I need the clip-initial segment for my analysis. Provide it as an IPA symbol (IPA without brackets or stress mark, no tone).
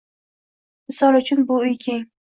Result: m